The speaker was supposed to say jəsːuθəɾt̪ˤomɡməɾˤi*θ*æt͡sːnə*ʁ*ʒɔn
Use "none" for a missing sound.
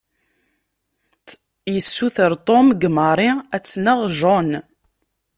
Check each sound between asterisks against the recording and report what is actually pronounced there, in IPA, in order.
none, ʁ

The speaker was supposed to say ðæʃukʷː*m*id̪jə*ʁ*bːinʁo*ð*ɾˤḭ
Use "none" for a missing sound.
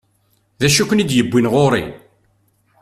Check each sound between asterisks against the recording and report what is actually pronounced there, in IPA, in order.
n, none, none

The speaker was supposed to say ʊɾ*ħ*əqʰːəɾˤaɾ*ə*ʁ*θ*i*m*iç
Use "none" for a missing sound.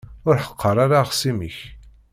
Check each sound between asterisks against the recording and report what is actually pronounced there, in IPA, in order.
ħ, a, s, m

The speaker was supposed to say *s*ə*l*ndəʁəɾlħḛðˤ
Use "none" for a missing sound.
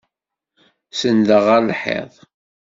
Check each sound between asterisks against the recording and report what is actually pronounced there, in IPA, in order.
s, none

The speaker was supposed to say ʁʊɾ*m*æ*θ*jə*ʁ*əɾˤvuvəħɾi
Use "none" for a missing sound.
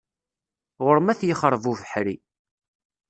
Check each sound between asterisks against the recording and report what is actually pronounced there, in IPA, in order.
m, θ, χ

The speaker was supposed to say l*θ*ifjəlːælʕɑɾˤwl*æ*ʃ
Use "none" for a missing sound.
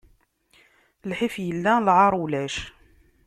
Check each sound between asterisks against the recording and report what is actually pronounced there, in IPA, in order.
ħ, æ

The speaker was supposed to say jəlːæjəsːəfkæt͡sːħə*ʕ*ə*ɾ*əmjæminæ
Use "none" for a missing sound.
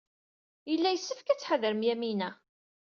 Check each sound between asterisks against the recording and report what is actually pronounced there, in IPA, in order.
ð, ɾ

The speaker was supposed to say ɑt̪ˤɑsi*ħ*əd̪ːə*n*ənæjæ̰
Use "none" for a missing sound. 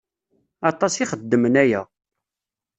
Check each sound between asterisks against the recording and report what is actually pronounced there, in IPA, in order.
χ, m

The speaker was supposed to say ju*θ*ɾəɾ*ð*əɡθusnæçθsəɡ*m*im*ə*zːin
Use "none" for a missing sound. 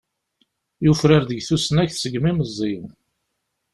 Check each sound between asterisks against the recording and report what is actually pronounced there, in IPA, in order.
f, ð, m, ə

